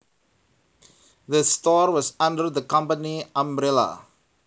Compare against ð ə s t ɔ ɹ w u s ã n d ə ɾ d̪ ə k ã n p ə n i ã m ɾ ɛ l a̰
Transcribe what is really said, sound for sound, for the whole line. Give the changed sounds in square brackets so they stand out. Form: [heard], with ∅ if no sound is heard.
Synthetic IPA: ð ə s t ɔ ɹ w [ɔ] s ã n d ə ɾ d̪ ə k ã [m] p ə n i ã m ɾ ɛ l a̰

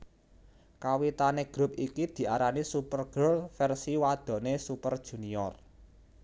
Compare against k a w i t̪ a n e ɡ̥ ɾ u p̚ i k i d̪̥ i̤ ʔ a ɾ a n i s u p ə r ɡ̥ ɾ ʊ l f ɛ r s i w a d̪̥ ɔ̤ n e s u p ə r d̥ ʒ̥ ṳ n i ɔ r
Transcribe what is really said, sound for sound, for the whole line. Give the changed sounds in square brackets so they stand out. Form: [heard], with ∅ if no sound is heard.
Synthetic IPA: k a w i t̪ a n e ɡ̥ ɾ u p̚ i k i d̪̥ i̤ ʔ a ɾ a n i s u p ə r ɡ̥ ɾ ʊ l f ɛ r s i w a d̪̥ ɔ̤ n e s u p ə r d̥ ʒ̥ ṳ n i ɔ r

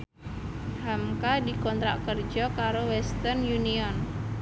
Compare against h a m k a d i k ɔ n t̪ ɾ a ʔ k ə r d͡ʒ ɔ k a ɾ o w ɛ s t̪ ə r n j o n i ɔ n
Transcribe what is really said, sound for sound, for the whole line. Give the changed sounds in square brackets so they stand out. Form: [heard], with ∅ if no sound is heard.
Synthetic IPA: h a m k a d i k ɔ n t̪ ɾ a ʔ k ə r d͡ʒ ɔ k a ɾ o w ɛ s t̪ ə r n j [u] n i ɔ n

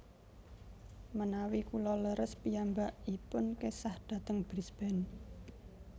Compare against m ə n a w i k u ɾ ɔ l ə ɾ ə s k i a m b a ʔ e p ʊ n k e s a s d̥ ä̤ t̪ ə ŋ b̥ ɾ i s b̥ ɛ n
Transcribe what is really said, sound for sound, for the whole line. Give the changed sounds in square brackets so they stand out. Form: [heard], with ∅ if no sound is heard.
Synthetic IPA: m ə n a w i k u [l] ɔ l ə ɾ ə s [p] i a m b a ʔ [i] p ʊ n k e s a [h] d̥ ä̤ t̪ ə ŋ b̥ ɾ i s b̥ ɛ n

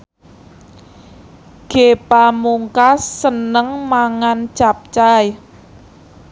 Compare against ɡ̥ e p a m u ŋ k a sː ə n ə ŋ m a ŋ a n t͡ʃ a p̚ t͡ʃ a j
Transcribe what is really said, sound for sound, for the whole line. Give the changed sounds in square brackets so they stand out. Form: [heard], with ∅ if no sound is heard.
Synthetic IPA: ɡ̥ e p a m u ŋ k a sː ə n ə ŋ m a ŋ a n t͡ʃ a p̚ t͡ʃ a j

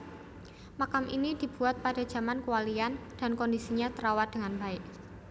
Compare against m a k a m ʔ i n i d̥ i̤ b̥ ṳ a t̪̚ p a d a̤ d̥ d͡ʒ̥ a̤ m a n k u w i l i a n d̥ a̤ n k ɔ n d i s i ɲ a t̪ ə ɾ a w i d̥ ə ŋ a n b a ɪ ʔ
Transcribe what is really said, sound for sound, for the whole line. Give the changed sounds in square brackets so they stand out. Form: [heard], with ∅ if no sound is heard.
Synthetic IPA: m a k a m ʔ i n i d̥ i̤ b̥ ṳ a t̪̚ p a d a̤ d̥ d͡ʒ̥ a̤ m a n k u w [a] l i a n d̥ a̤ n k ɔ n d i s i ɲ a t̪ ə ɾ a w [a] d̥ ə ŋ a n b a ɪ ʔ

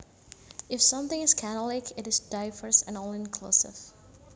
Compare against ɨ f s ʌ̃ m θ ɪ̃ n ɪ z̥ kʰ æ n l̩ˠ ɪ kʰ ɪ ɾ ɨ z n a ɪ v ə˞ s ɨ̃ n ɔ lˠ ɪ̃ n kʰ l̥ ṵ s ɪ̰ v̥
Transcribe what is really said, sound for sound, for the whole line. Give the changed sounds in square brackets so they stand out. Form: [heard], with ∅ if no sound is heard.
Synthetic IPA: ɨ f s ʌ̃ m θ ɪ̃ [ŋ] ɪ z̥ kʰ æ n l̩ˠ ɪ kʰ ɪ ɾ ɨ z [d] a ɪ v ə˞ s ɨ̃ n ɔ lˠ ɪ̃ n kʰ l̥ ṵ s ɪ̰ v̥

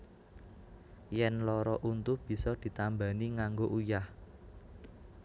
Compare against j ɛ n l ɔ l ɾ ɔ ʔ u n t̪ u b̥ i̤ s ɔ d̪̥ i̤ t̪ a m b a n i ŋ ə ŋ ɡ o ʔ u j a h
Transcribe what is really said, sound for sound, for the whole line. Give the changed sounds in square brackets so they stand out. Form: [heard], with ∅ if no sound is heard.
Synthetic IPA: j ɛ n l ɔ [∅] ɾ ɔ ʔ u n t̪ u b̥ i̤ s ɔ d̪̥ i̤ t̪ a m b a n i ŋ [a] ŋ ɡ o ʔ u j a h

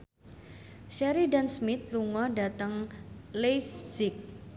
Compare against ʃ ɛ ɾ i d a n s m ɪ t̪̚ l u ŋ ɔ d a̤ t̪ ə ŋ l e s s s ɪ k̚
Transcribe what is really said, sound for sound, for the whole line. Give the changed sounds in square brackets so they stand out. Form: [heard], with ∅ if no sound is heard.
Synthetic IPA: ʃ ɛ ɾ i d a n s m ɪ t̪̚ l u ŋ ɔ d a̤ t̪ ə ŋ l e [f] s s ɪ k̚

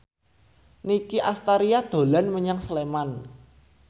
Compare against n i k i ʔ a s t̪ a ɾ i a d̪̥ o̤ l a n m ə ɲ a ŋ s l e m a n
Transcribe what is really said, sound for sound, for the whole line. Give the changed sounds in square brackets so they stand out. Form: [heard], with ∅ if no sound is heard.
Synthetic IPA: n i k i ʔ a s t̪ a ɾ i a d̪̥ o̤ l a n m ə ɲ a ŋ s l e m a n

